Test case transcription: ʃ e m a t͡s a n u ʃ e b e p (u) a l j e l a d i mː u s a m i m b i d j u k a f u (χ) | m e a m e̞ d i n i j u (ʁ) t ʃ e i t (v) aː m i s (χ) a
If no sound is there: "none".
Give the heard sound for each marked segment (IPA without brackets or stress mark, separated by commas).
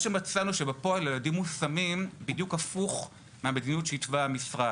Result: o, χ, none, v, ʁ